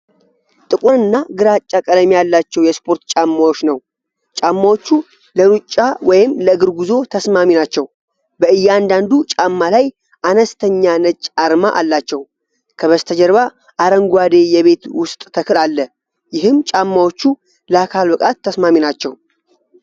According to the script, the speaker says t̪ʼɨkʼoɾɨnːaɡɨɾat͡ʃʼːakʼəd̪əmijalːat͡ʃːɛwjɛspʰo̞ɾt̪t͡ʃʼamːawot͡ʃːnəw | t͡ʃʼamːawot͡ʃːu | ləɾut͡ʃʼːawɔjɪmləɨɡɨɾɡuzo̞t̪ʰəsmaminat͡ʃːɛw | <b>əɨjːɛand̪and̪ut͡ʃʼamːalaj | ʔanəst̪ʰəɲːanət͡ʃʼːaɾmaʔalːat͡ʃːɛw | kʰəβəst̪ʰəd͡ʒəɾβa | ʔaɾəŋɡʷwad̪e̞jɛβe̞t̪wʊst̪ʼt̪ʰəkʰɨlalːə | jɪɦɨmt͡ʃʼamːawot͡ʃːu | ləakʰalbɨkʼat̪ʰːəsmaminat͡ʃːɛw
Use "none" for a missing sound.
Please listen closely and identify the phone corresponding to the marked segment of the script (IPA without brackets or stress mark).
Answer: b